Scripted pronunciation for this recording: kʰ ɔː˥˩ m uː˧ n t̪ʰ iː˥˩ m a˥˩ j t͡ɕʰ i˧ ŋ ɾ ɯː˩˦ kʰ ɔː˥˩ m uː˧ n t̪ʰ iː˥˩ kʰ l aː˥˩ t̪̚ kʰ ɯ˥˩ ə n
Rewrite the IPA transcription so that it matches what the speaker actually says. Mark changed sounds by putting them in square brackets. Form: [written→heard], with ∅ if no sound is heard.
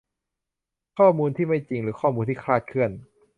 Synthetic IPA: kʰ ɔː˥˩ m uː˧ n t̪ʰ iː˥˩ m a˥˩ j [t͡ɕʰ→t͡ɕ] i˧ ŋ ɾ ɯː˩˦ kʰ ɔː˥˩ m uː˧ n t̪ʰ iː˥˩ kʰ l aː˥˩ t̪̚ kʰ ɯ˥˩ ə n

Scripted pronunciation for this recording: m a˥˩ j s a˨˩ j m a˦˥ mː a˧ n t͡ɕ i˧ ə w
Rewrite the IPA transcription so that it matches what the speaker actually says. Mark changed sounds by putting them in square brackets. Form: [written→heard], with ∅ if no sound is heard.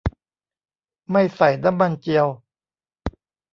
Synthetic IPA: m a˥˩ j s a˨˩ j [m→n] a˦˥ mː a˧ n t͡ɕ i˧ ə w

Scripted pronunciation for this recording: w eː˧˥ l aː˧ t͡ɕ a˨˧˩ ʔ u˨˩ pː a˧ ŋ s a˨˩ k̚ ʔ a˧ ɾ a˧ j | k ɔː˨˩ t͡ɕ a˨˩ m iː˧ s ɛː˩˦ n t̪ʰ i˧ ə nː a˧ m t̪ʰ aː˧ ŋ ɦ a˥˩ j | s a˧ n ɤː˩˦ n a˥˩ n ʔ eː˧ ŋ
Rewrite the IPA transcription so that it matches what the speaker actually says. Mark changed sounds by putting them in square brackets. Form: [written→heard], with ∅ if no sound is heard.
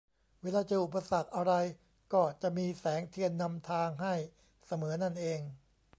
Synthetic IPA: w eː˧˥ l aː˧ t͡ɕ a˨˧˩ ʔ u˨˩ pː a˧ [ŋ→∅] s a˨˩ k̚ ʔ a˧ ɾ a˧ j | k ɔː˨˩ t͡ɕ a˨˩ m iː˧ s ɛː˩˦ [n→ŋ] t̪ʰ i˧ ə nː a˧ m t̪ʰ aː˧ ŋ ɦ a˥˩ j | s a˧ [n→m] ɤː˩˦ n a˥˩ n ʔ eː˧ ŋ

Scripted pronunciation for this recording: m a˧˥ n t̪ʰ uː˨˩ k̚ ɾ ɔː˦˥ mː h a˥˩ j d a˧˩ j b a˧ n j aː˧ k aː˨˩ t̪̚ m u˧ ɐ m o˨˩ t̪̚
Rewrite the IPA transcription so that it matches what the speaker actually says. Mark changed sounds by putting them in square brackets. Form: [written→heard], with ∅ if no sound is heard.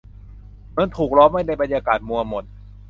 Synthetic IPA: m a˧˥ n t̪ʰ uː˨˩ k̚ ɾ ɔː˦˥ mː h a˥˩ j [d→n] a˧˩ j b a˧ n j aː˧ k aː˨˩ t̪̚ m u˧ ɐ m o˨˩ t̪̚

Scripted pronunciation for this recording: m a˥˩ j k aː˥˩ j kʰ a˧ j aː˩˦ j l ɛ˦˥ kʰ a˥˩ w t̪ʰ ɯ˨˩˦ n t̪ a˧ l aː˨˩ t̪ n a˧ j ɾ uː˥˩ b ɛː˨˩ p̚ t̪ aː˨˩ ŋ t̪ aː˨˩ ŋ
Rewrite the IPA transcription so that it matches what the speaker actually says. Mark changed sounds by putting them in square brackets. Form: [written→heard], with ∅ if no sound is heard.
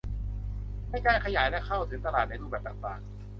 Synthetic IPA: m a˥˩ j k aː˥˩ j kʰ a˧ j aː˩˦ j l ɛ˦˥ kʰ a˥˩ w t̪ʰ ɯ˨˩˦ [n→ŋ] t̪ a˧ l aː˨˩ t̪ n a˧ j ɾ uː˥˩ b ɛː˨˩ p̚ t̪ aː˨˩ ŋ t̪ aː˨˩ ŋ

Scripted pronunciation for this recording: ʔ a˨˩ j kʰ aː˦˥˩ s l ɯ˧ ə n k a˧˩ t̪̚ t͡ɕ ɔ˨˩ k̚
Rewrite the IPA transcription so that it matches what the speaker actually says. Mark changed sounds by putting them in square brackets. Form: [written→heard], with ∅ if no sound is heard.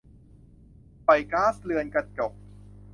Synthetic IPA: [ʔ→p] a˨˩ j [kʰ→k] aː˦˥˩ s l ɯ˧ ə n k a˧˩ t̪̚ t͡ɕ ɔ˨˩ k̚

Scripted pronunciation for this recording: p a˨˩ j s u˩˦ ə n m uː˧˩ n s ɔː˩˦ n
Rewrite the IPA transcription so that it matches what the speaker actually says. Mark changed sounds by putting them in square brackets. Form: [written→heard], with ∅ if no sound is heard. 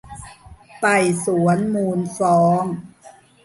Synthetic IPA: p a˨˩ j s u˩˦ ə n m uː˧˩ n s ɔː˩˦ [n→ŋ]

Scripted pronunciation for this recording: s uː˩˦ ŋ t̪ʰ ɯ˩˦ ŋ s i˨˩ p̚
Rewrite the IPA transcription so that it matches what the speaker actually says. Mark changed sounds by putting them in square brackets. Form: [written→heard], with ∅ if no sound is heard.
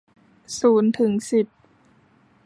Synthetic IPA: s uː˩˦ [ŋ→n] t̪ʰ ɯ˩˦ ŋ s i˨˩ p̚

